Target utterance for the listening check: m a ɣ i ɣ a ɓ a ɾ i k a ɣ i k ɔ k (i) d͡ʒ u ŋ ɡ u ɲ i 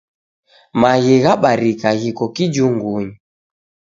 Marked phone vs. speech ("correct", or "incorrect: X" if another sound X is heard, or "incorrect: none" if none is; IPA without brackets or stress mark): correct